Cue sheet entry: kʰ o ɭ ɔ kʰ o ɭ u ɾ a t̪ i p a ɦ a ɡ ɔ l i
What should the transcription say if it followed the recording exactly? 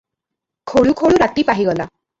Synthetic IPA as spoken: kʰ o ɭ u kʰ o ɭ u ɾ a t̪ i p a ɦ i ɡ ɔ l a